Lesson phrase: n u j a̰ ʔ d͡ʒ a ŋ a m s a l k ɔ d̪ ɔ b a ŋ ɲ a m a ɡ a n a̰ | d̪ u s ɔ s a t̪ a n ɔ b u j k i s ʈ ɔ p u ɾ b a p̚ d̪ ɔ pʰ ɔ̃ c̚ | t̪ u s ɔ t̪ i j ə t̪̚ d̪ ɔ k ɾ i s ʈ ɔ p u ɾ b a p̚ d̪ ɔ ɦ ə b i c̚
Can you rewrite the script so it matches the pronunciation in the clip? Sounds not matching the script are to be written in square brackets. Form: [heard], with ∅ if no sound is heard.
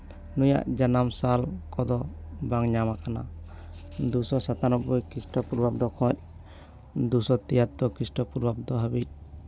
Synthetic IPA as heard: n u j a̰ ʔ d͡ʒ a [n] a m s a l k ɔ d̪ ɔ b a ŋ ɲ a m a [k] a n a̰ | d̪ u s ɔ s a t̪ a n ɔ b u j k i s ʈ ɔ p u ɾ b a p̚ d̪ ɔ [kʰ] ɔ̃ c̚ | [d̪] u s ɔ t̪ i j [a] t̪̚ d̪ ɔ k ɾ i s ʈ ɔ p u ɾ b a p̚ d̪ ɔ ɦ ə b i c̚